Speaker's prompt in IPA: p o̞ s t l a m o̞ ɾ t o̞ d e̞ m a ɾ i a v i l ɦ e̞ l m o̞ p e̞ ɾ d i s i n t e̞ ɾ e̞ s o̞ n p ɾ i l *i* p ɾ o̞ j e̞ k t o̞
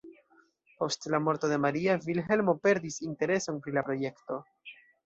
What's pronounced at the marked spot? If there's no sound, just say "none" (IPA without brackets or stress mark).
a